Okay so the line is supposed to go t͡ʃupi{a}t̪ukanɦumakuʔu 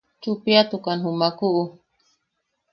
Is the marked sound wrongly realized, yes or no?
no